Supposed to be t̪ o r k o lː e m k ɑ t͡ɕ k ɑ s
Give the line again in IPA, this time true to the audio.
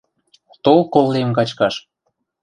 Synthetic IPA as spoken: t̪ o l k o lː e m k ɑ t͡ɕ k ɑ ʃ

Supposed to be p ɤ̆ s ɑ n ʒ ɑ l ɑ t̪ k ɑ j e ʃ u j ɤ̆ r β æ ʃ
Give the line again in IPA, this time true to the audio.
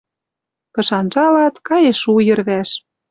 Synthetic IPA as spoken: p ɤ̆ ʃ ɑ n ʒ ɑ l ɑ t̪ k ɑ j e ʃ u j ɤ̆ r β æ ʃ

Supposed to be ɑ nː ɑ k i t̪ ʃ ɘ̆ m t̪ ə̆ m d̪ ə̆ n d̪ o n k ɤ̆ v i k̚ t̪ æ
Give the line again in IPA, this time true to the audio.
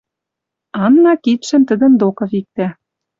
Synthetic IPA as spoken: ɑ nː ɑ k i t̪ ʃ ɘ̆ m t̪ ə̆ d̪ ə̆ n d̪ o k ɤ̆ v i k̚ t̪ æ

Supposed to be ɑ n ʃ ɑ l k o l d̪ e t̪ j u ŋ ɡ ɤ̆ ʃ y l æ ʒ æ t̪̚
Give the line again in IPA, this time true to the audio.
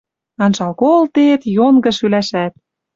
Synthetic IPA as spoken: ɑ n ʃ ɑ l k o l t̪ e t̪ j o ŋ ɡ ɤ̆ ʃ y l æ ʃ æ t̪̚

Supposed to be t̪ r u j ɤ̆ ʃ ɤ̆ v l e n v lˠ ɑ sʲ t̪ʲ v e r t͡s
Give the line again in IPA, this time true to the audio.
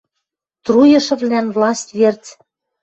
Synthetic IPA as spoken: t̪ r u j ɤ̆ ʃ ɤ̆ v l æ n v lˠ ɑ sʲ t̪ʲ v e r t͡s

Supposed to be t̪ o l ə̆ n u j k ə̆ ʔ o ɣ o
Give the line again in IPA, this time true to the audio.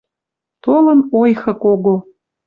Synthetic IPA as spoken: t̪ o l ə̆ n o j x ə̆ k o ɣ o

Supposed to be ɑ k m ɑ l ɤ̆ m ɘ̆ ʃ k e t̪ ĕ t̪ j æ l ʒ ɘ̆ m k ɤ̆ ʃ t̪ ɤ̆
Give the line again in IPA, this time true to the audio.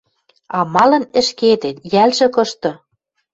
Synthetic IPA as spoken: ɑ m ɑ l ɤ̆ n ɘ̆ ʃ k e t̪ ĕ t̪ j æ l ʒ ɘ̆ k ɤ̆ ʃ t̪ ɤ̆

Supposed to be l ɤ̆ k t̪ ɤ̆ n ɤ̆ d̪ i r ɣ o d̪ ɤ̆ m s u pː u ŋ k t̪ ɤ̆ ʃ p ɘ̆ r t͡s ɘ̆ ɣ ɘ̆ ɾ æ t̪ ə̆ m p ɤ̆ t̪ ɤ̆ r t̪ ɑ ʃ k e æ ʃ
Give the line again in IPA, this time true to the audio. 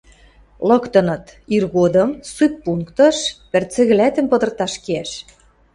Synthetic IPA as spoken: l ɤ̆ k t̪ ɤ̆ n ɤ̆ t̪ i r ɣ o d̪ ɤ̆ m s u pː u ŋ k t̪ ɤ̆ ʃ p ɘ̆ r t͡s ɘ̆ ɣ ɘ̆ l æ t̪ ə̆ m p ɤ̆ d̪ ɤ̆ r t̪ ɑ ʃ k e æ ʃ

